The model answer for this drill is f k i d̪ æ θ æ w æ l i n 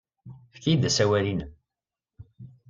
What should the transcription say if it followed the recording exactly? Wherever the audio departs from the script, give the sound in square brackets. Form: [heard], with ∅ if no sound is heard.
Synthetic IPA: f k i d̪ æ [s] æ w æ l i n